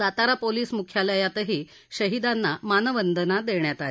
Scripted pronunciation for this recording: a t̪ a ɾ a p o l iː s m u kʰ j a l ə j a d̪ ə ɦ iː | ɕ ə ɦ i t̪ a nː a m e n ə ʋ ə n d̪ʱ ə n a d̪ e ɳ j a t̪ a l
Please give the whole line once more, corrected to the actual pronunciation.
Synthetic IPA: a t̪ a ɾ a p o l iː s m u kʰ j a l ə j a t̪ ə ɦ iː | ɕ ə ɦ i d̪ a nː a m a n ə ʋ ə n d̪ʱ ə n a d̪ e ɳ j a t̪ a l

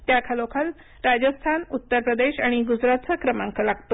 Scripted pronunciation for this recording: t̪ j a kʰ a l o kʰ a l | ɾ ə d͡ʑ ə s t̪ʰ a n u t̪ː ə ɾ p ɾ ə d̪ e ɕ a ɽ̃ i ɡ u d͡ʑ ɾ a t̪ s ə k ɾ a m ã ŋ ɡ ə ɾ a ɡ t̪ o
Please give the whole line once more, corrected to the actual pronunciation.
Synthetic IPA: t̪ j a kʰ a l o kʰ a l | ɾ a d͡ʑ ə s t̪ʰ a n u t̪ː ə ɾ p ɾ ə d̪ e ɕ a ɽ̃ i ɡ u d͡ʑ ɾ a t̪ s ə k ɾ ə m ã ŋ k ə l a ɡ t̪ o

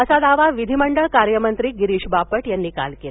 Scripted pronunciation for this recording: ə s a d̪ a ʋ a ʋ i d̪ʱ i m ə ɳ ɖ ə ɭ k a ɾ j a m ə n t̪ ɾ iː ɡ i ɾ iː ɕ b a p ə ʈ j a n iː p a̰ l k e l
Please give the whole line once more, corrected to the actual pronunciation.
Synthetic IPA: ə s a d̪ a ʋ a ʋ i d̪ʱ i m ə ɳ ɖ ə ɭ k a ɾ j ə m ə n t̪ ɾ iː ɡ i ɾ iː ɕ b a p ə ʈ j a nː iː k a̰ l k e l

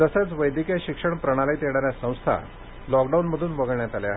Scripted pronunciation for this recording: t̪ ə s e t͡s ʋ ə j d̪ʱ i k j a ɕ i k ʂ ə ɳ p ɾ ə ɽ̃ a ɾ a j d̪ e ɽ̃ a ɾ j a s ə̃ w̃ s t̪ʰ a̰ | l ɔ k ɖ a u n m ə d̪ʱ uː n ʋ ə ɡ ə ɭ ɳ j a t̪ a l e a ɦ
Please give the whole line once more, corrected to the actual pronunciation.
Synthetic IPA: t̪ ə s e t͡s ʋ ə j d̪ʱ i k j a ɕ i k ʂ ə ɳ p ɾ ə ɽ̃ a l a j t̪ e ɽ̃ a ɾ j a s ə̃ w̃ s t̪ʰ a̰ | l ɔ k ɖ a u n m ə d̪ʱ uː n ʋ ə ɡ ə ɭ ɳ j a t̪ a l e a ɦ

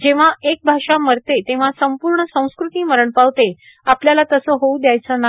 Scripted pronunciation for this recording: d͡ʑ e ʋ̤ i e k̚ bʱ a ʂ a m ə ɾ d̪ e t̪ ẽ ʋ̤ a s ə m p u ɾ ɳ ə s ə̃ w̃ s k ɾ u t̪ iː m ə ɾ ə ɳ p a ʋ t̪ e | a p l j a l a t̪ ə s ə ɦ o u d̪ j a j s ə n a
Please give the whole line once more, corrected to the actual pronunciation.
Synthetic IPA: d͡ʑ e ʋ̤ a e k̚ bʱ a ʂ a m ə ɾ t̪ e t̪ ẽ ʋ̤ a s ə m p u ɾ ɳ ə s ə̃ w̃ s k ɾ u t̪ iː m ə ɾ ə ɳ p a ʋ t̪ e | a p l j a l a t̪ ə s ə ɦ o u d̪ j a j t͡s ə n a

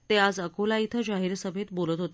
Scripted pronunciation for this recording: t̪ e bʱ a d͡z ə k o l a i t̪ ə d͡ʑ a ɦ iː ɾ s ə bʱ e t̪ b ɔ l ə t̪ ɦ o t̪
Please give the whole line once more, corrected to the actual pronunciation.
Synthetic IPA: t̪ e a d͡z ə k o l a i t̪ʰ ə d͡ʑ a ɦ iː ɾ s ə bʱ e t̪ b o l ə t̪ ɦ o t̪

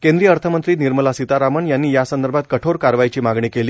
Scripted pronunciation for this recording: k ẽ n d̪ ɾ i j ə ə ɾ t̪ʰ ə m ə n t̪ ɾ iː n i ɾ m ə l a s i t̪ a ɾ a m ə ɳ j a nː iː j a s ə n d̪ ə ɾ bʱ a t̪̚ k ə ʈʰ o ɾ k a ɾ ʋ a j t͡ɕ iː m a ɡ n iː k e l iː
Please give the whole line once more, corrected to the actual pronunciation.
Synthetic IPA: k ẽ n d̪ ɾ i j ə ə ɾ t̪ʰ ə m ə n t̪ ɾ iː n i ɾ m ə l a s i t̪ a ɾ a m ə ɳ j a nː iː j a s ə n d̪ ə ɾ bʱ a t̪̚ k ə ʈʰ o ɾ k a ɾ ʋ a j t͡ɕ iː m a ɡ ɳ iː k e l iː

